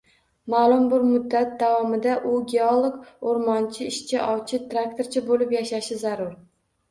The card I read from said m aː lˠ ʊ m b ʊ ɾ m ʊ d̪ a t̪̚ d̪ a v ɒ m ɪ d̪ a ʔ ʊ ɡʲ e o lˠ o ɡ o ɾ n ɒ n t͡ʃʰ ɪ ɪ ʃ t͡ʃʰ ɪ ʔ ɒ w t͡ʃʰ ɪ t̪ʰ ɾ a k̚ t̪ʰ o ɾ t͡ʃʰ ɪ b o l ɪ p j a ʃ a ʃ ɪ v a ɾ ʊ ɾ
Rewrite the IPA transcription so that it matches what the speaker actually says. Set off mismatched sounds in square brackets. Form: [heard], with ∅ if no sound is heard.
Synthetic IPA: m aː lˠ ʊ m b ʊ ɾ m ʊ [d̪ː] a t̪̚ d̪ a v ɒ m ɪ d̪ a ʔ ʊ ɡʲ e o lˠ o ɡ o ɾ [m] ɒ n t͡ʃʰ ɪ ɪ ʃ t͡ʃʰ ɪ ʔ ɒ w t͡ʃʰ ɪ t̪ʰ ɾ a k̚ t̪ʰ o ɾ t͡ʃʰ ɪ b o l ɪ p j a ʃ a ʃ ɪ [z] a ɾ ʊ ɾ